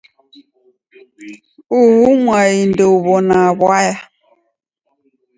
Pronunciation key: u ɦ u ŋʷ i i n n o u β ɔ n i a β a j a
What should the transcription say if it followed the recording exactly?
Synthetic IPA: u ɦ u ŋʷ a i n d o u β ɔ n a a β a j a